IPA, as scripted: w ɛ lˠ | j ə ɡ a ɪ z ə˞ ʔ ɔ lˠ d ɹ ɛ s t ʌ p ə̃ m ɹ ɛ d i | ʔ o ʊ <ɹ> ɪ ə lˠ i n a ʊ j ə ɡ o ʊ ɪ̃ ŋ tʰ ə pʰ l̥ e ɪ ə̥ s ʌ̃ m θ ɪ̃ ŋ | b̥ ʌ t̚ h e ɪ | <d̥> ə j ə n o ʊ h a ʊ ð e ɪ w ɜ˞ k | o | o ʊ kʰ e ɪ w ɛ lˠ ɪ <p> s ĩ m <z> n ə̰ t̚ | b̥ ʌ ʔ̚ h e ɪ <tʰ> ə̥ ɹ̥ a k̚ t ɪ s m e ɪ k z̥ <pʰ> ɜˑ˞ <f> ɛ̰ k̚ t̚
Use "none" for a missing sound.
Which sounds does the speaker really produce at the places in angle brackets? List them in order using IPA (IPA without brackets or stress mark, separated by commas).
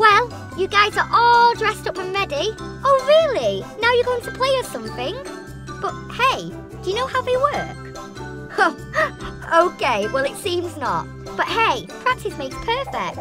ɹ, d̥, t, z, pʰ, pʰ, f